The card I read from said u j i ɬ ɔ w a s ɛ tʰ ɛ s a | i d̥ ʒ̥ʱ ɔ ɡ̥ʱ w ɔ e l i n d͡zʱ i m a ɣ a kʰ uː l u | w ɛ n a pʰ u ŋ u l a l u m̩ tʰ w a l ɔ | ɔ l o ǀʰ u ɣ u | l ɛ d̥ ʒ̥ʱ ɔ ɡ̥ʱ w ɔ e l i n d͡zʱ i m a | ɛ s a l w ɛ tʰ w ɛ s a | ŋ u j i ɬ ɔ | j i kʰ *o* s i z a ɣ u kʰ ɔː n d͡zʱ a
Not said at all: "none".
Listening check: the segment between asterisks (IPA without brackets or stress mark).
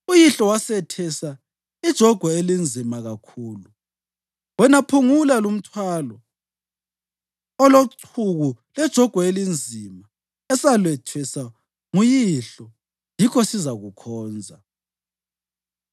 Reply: ɔ